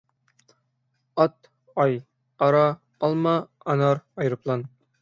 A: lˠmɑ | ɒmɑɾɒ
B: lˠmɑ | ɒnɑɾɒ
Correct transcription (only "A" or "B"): B